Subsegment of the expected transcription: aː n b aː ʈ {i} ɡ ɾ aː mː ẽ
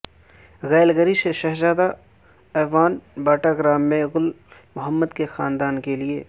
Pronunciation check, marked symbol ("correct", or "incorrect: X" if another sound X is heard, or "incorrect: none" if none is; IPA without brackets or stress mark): incorrect: a